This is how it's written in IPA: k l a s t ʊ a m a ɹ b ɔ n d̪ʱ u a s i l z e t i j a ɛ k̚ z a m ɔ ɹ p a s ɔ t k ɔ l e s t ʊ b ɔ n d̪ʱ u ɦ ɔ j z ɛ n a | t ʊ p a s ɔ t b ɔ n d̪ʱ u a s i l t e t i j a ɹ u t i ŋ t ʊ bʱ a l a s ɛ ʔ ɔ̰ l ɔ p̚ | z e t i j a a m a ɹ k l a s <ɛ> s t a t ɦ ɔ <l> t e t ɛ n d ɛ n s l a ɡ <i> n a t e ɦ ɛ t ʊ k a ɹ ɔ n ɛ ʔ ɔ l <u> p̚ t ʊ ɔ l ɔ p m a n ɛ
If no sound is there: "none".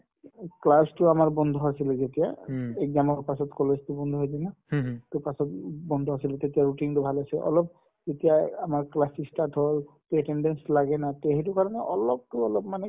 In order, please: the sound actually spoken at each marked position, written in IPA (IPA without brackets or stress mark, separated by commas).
i, l, ɛ, ɔ